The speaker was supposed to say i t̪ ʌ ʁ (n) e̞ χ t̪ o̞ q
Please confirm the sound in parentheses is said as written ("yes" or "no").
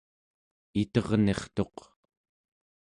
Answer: yes